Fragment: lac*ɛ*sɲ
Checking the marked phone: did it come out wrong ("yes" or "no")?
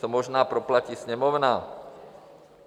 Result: yes